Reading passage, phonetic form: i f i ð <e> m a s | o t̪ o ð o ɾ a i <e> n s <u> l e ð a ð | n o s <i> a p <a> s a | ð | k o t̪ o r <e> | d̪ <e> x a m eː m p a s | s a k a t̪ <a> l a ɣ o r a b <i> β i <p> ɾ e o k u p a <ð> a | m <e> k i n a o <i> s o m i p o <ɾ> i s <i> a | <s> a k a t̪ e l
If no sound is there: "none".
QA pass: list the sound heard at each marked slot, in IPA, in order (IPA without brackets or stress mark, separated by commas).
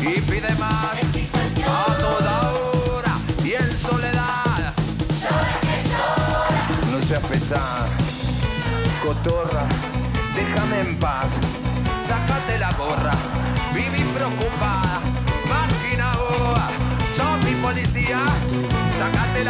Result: e, e, o, e, e, a, e, e, i, p, ð, a, a, l, i, s